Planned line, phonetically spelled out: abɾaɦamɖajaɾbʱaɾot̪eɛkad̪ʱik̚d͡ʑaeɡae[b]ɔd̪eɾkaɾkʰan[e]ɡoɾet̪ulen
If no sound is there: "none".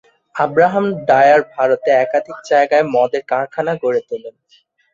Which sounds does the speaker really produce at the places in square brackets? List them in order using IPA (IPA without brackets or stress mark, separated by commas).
m, a